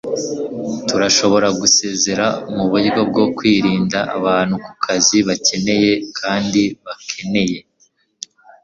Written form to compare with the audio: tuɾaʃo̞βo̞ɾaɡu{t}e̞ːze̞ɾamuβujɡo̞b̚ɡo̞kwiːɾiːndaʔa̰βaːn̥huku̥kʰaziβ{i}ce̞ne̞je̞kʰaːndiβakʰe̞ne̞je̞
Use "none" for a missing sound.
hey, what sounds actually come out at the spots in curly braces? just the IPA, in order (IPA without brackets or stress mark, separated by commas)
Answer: s, a